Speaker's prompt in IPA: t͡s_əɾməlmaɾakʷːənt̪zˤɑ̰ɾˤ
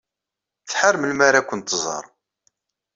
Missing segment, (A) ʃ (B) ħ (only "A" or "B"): B